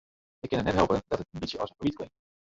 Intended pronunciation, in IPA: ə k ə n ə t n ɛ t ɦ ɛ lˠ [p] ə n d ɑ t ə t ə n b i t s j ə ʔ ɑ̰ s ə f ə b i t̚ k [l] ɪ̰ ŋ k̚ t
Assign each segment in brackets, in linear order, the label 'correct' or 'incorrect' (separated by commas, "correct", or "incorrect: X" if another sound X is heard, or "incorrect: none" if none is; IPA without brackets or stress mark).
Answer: correct, correct